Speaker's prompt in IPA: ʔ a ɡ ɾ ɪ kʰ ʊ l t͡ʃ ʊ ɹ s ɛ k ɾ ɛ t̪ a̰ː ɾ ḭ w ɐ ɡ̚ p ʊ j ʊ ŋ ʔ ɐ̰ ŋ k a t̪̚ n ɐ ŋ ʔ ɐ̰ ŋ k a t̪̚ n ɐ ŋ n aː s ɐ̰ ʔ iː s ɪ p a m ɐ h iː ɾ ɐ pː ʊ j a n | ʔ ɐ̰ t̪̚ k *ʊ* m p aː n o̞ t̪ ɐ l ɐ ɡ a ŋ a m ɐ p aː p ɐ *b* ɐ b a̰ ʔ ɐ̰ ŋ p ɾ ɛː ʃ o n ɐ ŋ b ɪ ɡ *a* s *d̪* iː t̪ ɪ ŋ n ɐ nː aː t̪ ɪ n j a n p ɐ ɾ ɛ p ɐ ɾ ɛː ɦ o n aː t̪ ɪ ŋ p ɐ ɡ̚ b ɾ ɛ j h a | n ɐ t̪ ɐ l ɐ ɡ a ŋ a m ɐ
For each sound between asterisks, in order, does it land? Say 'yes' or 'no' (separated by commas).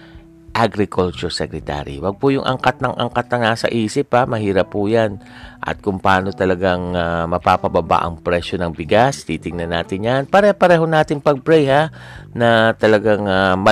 yes, yes, yes, no